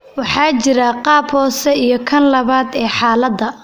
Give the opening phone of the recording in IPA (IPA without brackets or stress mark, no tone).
w